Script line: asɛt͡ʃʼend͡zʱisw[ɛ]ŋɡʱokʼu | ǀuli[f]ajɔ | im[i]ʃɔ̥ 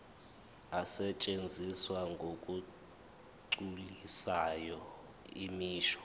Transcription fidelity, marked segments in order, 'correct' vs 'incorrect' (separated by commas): incorrect, incorrect, incorrect